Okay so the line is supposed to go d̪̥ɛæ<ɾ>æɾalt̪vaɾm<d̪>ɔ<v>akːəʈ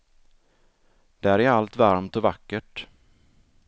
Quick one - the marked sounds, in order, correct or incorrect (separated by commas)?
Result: correct, incorrect, correct